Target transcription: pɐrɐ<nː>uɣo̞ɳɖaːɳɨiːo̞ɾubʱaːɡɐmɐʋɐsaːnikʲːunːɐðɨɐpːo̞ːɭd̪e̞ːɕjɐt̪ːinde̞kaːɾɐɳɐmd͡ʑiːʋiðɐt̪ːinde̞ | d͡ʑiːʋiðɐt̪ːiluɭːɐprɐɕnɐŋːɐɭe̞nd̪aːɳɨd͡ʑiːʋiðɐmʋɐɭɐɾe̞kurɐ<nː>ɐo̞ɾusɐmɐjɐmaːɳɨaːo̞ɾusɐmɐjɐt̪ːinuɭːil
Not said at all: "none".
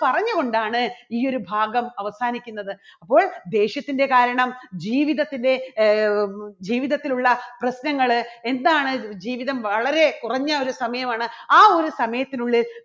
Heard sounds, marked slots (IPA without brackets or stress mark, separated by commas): ɲː, ɲː